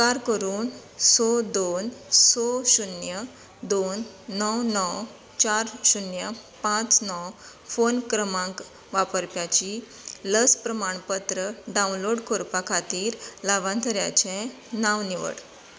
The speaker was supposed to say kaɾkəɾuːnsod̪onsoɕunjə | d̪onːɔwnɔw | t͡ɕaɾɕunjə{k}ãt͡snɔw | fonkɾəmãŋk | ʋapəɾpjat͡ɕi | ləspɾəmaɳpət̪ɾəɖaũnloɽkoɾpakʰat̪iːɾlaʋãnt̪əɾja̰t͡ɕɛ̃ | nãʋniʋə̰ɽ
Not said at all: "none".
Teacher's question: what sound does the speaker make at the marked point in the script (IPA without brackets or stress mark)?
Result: p